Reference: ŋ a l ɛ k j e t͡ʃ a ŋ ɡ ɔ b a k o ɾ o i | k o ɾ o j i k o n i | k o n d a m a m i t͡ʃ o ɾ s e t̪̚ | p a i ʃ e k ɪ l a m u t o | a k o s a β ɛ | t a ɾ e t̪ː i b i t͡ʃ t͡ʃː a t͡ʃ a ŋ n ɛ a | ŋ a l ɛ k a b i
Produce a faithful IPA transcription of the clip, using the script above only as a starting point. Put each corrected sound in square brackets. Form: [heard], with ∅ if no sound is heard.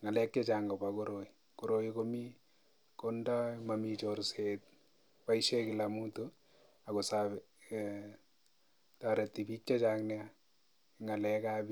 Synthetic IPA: ŋ a l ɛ k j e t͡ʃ a ŋ ɡ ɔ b a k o ɾ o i | k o ɾ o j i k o [m] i | k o n d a m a m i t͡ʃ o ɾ s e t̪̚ | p a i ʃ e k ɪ l a m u t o | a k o s a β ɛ | t a ɾ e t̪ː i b i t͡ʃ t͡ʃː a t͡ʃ a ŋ n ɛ a | ŋ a l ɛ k a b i